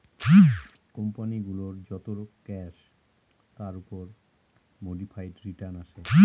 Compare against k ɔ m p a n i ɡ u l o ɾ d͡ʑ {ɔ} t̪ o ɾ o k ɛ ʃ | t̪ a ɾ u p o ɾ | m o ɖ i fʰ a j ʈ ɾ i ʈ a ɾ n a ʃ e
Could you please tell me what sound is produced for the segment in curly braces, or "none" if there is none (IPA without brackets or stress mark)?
ɔ